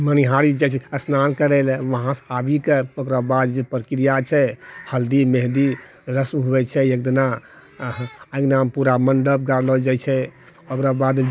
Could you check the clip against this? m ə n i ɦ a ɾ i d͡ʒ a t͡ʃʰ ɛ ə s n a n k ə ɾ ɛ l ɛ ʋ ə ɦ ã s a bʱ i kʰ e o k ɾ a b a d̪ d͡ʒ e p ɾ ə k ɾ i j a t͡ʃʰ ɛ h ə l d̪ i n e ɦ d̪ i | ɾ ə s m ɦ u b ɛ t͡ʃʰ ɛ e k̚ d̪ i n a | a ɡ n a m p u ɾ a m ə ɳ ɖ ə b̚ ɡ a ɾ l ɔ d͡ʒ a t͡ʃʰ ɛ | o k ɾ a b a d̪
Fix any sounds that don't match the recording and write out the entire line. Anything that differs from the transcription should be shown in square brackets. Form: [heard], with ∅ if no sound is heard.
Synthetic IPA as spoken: m ə n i ɦ a ɾ i d͡ʒ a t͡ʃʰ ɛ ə s n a n k ə ɾ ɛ l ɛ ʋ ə ɦ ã s a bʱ i [k] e o k ɾ a b a d̪ d͡ʒ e p ɾ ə k ɾ i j a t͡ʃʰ ɛ h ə l d̪ i [m] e ɦ d̪ i | ɾ ə s m ɦ u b ɛ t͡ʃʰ ɛ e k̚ d̪ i n a | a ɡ n a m p u ɾ a m ə ɳ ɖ ə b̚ ɡ a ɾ l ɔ d͡ʒ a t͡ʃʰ ɛ | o k ɾ a b a d̪